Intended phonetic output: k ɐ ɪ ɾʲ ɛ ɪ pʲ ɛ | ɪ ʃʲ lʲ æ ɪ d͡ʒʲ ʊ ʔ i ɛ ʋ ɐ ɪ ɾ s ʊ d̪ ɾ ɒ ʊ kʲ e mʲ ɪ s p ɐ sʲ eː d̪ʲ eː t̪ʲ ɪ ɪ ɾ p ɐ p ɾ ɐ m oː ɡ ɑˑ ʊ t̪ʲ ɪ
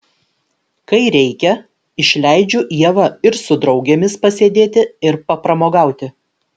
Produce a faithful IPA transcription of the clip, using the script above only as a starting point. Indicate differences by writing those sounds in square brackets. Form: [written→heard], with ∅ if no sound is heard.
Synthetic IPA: k ɐ ɪ ɾʲ ɛ ɪ [pʲ→kʲ] ɛ | ɪ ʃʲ lʲ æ ɪ d͡ʒʲ ʊ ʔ i ɛ ʋ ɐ ɪ ɾ s ʊ d̪ ɾ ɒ ʊ [kʲ→ɡʲ] e mʲ ɪ s p ɐ sʲ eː d̪ʲ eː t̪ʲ ɪ ɪ ɾ p ɐ p ɾ ɐ m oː ɡ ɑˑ ʊ t̪ʲ ɪ